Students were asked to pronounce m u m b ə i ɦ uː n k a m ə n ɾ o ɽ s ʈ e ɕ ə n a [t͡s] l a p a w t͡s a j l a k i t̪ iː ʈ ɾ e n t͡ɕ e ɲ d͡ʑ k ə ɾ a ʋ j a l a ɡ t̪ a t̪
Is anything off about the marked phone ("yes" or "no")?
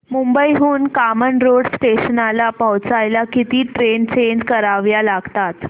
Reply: yes